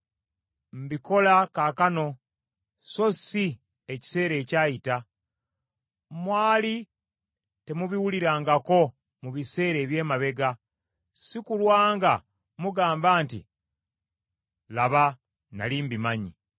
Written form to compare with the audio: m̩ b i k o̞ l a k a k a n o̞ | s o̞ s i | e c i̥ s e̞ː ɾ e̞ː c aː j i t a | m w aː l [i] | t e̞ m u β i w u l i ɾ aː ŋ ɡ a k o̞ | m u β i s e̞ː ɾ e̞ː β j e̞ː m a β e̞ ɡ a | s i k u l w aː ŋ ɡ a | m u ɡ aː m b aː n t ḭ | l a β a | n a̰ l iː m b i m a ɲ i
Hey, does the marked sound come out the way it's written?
yes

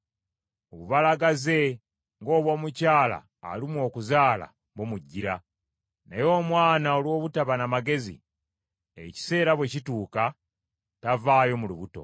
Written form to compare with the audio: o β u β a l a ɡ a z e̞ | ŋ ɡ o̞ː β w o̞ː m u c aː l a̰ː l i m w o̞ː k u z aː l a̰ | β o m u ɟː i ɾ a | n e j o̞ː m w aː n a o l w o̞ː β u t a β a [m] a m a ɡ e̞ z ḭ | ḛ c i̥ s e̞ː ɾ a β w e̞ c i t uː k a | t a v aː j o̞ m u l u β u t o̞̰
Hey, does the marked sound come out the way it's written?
no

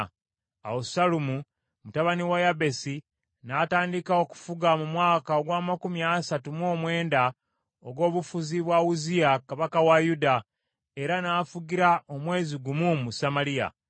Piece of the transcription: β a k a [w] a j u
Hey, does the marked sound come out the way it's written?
yes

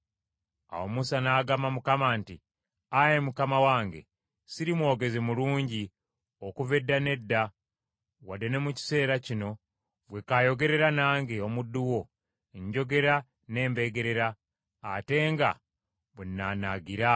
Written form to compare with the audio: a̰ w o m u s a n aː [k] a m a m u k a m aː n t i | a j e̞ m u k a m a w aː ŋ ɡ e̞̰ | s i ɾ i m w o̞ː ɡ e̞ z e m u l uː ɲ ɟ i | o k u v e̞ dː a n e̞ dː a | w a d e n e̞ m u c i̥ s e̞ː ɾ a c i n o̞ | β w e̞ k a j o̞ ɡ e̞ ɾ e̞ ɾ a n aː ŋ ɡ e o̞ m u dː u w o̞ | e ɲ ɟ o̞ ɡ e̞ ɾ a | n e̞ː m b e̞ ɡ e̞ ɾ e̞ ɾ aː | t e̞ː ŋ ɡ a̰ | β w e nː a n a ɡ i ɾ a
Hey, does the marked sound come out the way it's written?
no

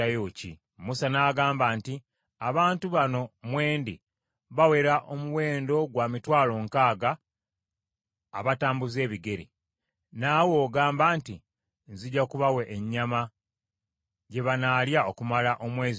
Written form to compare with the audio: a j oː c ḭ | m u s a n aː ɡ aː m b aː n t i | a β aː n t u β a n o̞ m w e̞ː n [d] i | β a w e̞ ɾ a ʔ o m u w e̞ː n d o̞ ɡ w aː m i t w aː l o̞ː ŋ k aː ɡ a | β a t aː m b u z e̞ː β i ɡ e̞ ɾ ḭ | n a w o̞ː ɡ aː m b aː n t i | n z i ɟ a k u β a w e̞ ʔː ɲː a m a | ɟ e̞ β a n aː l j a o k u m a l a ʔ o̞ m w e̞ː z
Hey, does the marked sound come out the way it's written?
yes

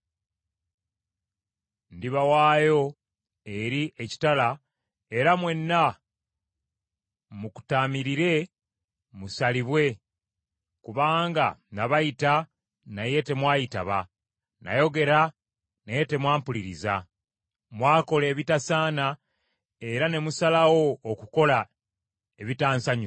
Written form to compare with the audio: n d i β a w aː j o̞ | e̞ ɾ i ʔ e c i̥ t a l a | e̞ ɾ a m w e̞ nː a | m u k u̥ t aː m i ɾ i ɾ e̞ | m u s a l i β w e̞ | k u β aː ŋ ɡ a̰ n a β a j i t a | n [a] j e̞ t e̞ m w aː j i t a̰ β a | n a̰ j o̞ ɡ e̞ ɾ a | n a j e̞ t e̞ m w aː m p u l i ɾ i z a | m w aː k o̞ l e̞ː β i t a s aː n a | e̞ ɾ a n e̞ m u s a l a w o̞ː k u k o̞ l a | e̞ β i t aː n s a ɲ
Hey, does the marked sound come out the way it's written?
yes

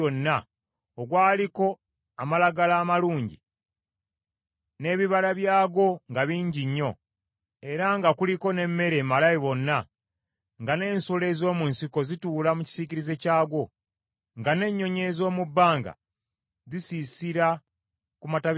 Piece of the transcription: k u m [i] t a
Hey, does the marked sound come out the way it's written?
no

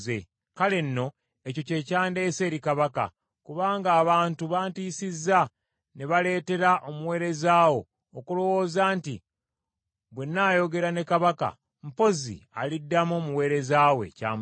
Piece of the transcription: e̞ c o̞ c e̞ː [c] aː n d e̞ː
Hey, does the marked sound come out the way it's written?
yes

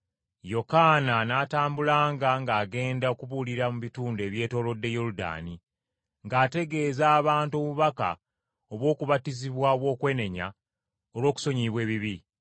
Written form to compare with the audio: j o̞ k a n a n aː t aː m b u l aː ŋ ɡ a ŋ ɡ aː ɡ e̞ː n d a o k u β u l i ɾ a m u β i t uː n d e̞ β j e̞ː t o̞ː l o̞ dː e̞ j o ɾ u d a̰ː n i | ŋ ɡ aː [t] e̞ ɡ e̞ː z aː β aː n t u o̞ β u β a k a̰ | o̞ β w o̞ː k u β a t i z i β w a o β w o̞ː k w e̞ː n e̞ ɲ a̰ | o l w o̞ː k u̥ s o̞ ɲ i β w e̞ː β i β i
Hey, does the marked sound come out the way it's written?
yes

